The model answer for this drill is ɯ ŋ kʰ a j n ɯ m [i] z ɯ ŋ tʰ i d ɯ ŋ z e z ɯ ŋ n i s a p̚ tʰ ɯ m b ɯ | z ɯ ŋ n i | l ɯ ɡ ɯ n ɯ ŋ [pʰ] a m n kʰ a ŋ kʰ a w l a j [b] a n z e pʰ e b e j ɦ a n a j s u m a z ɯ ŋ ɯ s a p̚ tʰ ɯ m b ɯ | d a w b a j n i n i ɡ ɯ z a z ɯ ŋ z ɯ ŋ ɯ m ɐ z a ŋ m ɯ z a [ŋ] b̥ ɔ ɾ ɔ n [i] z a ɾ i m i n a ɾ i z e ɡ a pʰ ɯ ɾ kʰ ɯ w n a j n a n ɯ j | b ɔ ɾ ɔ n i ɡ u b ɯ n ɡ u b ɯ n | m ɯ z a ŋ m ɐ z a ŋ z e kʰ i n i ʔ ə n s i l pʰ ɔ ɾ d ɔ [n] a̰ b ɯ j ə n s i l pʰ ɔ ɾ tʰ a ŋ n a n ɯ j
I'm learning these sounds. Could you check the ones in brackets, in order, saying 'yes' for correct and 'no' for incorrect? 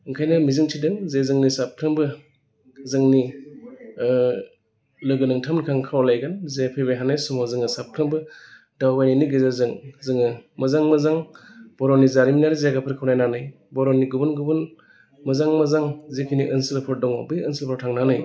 yes, no, no, yes, yes, no

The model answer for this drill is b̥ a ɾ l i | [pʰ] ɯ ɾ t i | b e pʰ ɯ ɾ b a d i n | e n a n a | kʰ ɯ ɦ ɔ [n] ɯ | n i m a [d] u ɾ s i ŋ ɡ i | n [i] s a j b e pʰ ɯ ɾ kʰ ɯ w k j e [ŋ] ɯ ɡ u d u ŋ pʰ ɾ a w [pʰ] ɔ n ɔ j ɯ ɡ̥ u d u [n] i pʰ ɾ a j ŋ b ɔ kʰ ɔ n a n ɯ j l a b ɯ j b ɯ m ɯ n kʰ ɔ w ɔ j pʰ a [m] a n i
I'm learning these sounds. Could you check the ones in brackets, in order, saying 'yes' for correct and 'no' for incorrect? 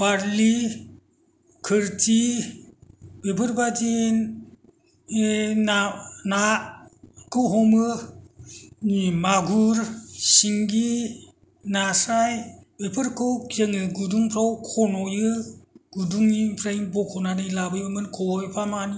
no, no, no, no, yes, no, no, yes

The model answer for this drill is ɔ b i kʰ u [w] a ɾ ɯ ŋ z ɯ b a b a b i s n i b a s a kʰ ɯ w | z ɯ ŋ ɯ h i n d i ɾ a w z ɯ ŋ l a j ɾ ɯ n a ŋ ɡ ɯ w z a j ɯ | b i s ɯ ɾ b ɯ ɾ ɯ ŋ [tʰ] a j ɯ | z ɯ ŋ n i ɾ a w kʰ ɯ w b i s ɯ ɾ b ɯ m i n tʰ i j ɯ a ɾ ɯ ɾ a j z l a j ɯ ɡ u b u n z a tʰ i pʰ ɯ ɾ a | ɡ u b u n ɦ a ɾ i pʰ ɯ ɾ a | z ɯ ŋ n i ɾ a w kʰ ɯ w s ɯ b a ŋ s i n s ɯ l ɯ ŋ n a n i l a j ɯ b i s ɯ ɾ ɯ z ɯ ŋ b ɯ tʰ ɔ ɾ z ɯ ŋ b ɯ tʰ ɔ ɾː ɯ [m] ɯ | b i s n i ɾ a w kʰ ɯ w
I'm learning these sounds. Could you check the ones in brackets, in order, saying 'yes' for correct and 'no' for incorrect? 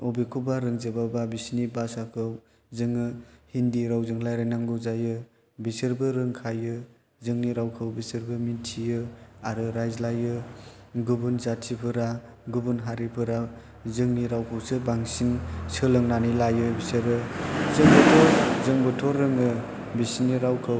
no, no, no

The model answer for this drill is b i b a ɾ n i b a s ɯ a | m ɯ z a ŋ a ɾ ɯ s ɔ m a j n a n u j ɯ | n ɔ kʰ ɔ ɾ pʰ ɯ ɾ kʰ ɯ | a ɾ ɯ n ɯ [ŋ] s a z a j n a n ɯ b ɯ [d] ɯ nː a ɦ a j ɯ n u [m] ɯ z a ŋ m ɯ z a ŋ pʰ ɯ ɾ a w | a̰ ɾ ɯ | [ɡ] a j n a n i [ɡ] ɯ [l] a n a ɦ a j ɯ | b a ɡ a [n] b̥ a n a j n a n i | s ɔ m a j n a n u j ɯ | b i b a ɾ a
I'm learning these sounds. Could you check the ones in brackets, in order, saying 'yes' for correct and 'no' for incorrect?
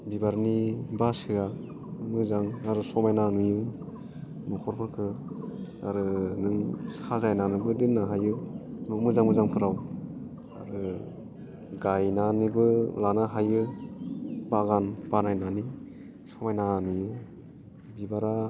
yes, yes, yes, yes, no, yes, yes

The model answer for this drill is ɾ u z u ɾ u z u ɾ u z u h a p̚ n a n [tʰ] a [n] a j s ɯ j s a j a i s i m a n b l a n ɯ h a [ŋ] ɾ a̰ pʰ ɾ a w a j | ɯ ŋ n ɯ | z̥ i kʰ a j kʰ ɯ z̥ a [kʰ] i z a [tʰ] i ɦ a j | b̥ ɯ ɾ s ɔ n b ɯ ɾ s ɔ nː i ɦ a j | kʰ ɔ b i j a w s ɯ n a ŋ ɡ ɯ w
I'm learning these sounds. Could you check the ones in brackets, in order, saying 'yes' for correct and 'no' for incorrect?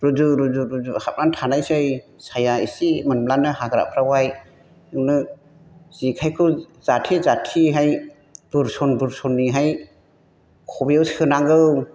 yes, yes, no, no, yes

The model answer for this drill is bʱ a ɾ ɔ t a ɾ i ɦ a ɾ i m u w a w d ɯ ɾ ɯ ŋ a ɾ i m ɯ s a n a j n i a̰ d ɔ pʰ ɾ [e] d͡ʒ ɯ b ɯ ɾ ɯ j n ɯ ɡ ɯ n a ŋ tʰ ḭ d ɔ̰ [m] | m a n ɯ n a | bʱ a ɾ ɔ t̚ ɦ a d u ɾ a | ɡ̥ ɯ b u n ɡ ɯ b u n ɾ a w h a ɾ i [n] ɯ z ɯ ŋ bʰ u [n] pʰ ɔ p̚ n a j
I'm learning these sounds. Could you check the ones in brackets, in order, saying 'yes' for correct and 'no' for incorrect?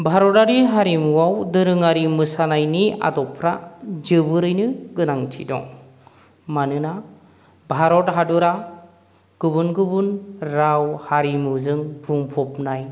no, no, no, no

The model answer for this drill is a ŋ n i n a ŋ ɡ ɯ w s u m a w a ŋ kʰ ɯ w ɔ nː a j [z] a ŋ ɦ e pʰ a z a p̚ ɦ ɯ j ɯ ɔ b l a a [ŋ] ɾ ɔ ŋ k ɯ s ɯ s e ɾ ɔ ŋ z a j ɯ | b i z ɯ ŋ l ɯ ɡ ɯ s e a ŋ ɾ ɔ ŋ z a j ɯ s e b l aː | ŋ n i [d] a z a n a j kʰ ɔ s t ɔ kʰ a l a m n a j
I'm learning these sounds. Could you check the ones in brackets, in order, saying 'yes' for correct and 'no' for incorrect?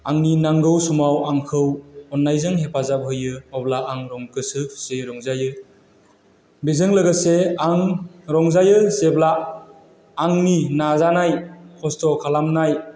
yes, yes, no

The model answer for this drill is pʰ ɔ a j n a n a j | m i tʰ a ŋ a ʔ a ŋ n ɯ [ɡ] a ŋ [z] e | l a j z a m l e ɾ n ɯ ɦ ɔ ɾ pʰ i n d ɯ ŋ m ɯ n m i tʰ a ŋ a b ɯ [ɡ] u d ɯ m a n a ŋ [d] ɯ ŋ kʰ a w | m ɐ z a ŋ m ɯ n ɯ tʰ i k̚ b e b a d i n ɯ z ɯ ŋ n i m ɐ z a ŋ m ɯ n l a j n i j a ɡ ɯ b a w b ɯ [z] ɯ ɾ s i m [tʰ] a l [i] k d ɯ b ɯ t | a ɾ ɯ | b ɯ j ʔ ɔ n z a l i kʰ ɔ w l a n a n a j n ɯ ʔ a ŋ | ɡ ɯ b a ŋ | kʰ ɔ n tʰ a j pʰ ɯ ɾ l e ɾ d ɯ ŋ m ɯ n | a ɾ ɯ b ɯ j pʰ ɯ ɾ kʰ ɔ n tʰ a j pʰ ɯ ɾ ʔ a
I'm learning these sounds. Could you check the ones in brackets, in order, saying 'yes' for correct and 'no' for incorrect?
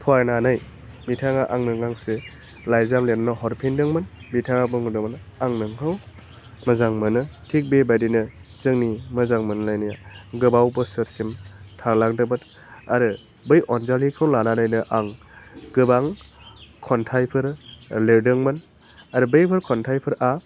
no, no, no, no, no, yes, no

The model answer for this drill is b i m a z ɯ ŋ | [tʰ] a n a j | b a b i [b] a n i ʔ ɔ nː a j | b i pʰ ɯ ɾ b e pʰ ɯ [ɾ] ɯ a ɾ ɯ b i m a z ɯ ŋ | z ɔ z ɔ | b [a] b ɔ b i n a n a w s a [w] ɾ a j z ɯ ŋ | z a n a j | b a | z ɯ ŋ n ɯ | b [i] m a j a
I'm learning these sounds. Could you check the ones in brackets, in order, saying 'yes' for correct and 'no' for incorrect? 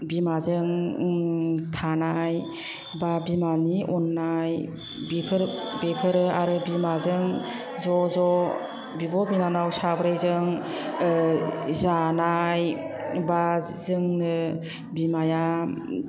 yes, no, yes, no, no, yes

